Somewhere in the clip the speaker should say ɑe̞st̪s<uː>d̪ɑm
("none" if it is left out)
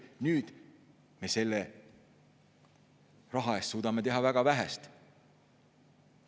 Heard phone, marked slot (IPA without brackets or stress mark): uː